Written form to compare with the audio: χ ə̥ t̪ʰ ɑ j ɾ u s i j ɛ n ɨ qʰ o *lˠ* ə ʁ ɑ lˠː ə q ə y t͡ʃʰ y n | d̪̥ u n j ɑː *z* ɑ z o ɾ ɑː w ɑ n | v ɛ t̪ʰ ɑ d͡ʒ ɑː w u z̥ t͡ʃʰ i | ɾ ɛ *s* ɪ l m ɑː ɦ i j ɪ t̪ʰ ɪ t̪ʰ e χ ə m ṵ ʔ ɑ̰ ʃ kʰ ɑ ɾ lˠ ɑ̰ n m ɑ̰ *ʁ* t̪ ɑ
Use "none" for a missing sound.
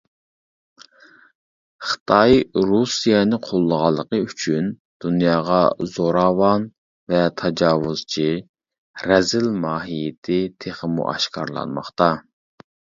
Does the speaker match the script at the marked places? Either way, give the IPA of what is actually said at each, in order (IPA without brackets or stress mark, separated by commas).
lˠː, ʁ, z, χ